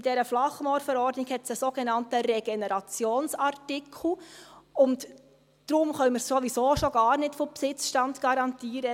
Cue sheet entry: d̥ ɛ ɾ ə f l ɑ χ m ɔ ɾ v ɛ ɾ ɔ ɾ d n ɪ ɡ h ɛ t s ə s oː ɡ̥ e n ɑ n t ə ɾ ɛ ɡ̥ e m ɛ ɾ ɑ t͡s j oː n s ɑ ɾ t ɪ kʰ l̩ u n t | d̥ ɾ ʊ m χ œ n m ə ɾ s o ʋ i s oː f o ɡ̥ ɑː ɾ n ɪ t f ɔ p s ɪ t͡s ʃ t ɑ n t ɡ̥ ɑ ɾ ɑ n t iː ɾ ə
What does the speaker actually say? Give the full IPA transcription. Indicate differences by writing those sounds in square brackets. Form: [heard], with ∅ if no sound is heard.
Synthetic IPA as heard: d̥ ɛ ɾ ə f l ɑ χ m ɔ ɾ [f] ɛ ɾ ɔ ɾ d n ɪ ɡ h ɛ t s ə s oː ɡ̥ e n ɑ n t ə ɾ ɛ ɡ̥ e [n] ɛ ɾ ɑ t͡s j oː n s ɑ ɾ t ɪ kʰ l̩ [ʊ] n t | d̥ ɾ ʊ m χ œ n m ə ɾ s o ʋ i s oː [ʃ] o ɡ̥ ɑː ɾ n ɪ t f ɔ p s ɪ t͡s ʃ t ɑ n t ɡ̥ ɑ ɾ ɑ n t iː ɾ ə